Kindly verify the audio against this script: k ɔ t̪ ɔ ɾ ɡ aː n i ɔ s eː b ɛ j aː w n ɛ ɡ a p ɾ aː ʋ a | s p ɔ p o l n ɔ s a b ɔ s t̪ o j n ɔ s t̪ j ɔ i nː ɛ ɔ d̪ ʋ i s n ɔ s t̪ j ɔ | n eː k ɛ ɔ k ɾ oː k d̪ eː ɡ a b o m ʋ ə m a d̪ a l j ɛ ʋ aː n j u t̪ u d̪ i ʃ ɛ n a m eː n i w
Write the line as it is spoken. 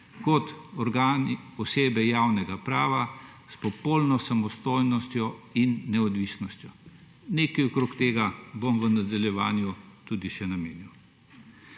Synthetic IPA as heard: k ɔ t̪ ɔ ɾ ɡ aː n i ɔ s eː b ɛ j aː w n ɛ ɡ a p ɾ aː ʋ a | s p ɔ p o l n ɔ s a m ɔ s t̪ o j n ɔ s t̪ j ɔ i nː ɛ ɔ d̪ ʋ i s n ɔ s t̪ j ɔ | n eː k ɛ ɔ k ɾ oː k t̪ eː ɡ a b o m ʋ ə n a d̪ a l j ɛ ʋ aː n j u t̪ u d̪ i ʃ ɛ n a m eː n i w